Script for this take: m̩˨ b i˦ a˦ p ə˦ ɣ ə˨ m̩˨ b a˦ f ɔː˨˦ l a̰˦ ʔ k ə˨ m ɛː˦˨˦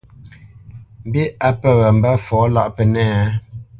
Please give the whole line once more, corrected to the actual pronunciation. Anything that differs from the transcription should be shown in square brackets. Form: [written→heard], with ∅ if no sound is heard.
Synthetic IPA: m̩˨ b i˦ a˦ p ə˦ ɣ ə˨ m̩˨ b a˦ f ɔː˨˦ l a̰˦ ʔ [k→p] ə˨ [m→n] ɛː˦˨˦